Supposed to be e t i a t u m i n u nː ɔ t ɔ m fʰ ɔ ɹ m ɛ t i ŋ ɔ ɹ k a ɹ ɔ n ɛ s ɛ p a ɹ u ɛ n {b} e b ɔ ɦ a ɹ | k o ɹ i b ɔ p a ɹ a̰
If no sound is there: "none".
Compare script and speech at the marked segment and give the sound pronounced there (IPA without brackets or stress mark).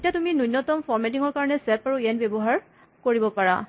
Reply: b